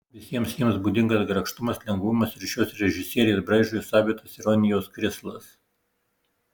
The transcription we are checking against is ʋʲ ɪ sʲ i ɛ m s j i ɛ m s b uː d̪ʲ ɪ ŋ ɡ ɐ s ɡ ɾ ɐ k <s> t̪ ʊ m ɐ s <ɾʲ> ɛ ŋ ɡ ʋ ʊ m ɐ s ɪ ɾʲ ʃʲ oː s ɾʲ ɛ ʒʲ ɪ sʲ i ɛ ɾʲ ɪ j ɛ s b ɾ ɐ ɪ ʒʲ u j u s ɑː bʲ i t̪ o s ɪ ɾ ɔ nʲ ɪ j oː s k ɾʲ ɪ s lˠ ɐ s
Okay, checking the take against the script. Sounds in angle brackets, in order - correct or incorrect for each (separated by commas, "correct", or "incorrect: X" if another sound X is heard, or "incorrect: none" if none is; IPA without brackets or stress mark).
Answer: incorrect: ʃ, incorrect: lʲ